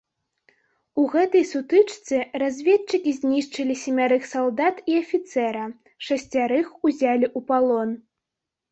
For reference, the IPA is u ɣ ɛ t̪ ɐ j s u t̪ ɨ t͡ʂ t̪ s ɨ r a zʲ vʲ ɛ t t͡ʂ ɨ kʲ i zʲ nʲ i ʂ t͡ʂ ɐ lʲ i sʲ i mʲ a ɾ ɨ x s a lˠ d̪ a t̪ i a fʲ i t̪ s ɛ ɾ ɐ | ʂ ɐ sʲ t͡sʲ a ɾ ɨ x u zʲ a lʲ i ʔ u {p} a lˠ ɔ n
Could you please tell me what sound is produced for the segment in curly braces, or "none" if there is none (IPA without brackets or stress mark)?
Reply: p